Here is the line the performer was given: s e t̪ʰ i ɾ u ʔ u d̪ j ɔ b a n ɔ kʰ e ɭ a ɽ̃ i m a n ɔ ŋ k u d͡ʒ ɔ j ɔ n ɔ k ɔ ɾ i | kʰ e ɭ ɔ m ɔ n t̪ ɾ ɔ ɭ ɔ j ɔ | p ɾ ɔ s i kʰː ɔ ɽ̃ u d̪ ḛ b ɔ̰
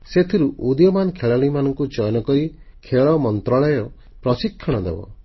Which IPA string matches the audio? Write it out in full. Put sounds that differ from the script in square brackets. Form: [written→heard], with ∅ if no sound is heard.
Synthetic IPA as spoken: s e t̪ʰ i ɾ u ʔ u d̪ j ɔ [b→m] a n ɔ kʰ e ɭ a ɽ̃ i m a n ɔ ŋ k u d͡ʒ ɔ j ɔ n ɔ k ɔ ɾ i | kʰ e ɭ ɔ m ɔ n t̪ ɾ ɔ ɭ ɔ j ɔ | p ɾ ɔ s i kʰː ɔ ɽ̃ [u→ɔ] d̪ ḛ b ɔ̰